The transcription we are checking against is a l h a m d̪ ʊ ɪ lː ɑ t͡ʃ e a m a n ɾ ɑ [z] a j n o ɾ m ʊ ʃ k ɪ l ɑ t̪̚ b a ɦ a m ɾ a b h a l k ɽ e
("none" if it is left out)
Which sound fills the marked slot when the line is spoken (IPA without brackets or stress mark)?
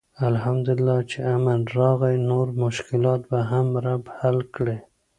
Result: ɣ